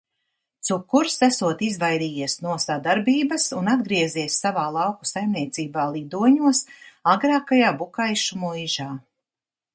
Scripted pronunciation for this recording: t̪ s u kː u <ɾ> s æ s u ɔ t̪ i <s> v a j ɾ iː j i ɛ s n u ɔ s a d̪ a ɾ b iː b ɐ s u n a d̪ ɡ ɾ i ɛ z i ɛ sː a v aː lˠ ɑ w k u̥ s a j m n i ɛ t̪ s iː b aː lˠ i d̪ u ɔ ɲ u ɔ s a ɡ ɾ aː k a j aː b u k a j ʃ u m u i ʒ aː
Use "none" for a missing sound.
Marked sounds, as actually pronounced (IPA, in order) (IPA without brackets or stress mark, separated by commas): ɾ, z